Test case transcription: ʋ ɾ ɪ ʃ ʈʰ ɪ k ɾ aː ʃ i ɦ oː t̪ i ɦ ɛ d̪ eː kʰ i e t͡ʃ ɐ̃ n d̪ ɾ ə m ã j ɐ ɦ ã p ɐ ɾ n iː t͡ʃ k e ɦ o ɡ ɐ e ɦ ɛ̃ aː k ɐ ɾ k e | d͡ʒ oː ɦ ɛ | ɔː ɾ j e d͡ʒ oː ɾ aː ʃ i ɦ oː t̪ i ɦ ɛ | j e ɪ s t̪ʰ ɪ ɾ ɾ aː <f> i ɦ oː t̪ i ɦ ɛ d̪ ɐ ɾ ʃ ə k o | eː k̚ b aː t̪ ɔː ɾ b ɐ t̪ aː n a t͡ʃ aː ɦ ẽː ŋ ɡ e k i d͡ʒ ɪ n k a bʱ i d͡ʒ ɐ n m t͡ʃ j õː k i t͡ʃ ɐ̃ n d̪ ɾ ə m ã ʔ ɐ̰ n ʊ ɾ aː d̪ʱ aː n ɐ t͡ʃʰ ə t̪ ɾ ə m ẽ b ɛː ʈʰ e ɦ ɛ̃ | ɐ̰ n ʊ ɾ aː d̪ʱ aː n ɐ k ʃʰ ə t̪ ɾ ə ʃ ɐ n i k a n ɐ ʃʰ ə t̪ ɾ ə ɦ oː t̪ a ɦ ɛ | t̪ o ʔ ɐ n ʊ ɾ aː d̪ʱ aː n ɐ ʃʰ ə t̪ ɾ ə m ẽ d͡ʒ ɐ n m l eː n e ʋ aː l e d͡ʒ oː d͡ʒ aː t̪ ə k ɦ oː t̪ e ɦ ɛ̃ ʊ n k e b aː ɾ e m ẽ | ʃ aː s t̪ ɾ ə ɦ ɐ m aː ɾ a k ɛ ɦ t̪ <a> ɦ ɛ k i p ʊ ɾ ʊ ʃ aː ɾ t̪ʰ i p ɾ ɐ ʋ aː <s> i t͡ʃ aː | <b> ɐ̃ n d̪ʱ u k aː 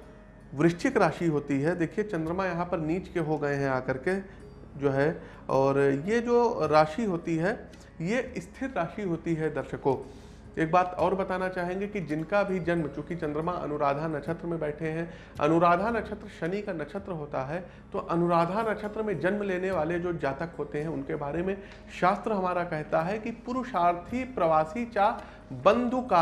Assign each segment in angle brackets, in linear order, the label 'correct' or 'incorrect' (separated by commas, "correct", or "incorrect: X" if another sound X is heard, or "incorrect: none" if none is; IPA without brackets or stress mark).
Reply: incorrect: ʃ, correct, correct, correct